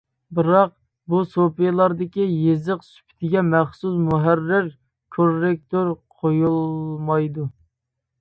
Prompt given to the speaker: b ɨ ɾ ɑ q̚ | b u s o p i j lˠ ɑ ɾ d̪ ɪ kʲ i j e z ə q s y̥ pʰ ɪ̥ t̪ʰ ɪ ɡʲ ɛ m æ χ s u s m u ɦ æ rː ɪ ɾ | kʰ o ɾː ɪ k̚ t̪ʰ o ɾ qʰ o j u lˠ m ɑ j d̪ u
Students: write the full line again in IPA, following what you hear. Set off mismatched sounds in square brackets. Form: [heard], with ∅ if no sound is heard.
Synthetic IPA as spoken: b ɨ ɾ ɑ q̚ | b u s o p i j lˠ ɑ ɾ d̪ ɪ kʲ i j e z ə q s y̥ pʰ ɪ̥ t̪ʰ ɪ ɡʲ ɛ m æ χ s u s m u ɦ æ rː ɪ ɾ | kʰ o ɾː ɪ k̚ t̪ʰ o ɾ qʰ o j u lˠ m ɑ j d̪ u